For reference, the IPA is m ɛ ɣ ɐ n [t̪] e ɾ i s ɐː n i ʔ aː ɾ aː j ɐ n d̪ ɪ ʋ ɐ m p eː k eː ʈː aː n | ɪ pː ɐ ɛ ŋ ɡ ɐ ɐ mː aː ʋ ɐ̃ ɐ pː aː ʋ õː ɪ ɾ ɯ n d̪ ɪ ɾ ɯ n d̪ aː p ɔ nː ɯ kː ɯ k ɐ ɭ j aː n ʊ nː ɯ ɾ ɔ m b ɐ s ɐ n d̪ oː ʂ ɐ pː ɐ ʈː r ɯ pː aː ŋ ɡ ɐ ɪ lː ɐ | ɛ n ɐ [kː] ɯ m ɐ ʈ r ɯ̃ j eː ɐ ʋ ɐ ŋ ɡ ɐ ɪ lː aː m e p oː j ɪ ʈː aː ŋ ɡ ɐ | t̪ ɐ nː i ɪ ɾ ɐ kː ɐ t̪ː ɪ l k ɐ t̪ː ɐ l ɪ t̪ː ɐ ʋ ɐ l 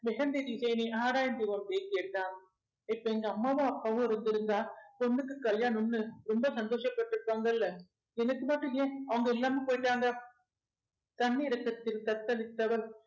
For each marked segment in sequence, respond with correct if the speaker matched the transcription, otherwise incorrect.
incorrect, correct

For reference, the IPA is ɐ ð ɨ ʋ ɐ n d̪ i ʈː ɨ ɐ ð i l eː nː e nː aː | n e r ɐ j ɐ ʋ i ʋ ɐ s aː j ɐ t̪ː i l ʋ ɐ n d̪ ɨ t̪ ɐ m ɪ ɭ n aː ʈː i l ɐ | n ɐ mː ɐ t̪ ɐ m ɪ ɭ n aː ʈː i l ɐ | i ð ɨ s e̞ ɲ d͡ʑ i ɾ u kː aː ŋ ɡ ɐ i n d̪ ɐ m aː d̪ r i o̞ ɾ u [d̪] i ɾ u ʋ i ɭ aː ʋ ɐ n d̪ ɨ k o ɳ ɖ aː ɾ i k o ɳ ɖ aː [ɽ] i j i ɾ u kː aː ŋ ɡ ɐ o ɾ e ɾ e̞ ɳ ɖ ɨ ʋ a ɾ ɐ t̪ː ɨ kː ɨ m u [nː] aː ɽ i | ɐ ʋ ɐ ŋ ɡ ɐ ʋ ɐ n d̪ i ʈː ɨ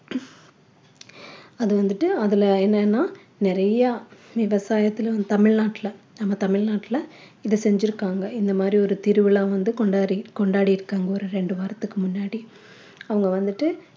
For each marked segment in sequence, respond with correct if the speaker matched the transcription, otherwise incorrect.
incorrect, correct, correct

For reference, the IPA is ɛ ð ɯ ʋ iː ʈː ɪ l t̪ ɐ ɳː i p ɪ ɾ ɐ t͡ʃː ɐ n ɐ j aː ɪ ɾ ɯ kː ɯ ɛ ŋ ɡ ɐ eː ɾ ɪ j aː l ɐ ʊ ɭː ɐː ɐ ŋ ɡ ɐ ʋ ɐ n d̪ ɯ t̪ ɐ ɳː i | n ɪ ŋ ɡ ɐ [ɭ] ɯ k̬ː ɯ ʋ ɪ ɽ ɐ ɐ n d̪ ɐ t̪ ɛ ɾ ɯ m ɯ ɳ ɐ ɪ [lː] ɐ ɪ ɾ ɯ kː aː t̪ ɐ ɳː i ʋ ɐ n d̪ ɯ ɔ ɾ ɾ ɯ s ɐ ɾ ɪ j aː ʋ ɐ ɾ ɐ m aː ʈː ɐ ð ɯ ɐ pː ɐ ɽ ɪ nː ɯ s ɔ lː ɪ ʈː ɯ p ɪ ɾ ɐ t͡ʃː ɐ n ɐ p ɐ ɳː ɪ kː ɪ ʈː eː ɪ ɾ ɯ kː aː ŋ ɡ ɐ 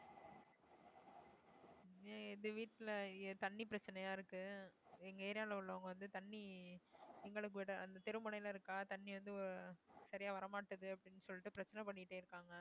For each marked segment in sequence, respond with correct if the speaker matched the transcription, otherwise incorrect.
correct, incorrect

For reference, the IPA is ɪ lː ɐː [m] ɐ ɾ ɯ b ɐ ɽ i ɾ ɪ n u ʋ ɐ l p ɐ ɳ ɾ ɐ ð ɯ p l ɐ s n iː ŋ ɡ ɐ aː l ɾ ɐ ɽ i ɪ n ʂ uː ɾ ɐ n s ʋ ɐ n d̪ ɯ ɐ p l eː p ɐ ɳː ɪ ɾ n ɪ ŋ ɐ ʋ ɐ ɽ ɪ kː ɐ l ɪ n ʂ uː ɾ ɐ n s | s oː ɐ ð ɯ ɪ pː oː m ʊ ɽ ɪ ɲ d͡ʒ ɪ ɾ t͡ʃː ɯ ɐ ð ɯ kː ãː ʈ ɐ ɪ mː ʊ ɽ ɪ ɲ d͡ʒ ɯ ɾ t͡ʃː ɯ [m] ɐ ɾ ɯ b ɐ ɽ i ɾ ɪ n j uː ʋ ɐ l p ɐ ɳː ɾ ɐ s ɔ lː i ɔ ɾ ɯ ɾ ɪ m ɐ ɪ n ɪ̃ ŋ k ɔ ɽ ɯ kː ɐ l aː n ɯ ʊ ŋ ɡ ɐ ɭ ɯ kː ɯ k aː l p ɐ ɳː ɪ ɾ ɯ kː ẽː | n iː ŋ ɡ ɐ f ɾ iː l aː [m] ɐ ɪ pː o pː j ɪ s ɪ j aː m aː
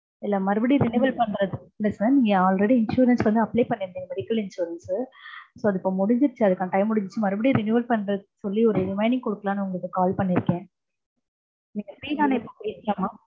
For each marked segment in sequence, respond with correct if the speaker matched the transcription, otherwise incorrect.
correct, correct, incorrect

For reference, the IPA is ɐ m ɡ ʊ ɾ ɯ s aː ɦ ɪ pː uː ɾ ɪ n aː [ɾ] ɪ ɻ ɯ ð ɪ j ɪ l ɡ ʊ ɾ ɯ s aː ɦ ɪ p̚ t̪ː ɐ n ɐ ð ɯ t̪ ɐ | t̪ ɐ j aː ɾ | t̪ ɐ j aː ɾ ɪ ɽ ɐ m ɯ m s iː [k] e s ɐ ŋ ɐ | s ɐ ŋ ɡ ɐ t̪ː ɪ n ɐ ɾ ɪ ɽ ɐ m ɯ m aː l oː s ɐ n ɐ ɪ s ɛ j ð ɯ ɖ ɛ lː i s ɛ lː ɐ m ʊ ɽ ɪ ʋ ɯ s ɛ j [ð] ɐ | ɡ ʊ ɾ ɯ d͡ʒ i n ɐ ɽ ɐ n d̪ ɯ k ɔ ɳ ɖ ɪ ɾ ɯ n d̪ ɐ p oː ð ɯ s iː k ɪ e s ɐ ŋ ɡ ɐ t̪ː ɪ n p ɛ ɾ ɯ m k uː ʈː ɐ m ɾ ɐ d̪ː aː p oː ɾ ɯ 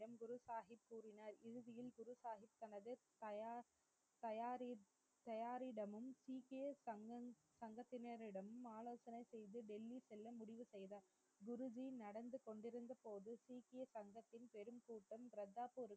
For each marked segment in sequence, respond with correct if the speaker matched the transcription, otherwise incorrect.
correct, correct, correct

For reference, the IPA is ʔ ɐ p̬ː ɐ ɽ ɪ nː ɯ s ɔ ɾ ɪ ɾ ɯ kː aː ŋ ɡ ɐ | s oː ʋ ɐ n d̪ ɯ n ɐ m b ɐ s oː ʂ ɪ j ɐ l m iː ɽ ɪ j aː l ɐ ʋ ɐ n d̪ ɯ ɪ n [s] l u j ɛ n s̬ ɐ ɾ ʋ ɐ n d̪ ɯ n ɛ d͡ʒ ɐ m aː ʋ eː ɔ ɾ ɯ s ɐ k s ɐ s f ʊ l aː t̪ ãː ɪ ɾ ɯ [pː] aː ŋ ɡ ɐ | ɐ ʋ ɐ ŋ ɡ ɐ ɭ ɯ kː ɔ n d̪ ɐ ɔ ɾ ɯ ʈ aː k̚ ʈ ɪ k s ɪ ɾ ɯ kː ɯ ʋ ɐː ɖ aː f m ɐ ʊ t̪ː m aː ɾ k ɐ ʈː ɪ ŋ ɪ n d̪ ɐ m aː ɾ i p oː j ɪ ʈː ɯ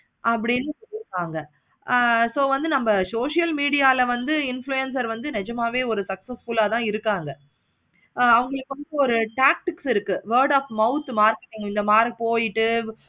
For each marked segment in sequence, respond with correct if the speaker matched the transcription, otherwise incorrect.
incorrect, incorrect

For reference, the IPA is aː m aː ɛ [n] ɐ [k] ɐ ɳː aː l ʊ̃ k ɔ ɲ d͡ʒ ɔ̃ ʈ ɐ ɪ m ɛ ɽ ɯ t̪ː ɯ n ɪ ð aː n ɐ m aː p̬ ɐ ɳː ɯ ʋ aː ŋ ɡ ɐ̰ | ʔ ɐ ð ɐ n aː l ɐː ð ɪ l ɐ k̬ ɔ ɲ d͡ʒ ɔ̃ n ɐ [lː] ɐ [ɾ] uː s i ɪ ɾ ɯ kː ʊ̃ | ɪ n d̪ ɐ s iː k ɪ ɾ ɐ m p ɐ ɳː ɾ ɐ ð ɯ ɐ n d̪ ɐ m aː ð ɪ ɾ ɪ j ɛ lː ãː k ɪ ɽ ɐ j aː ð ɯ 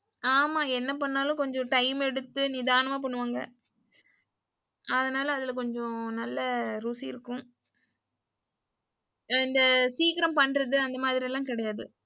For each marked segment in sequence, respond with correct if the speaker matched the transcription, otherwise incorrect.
incorrect, incorrect, correct, correct

